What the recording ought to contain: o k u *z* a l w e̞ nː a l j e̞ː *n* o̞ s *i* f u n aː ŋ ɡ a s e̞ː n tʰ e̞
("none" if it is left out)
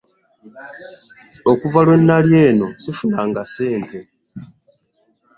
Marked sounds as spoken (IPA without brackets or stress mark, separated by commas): v, n, i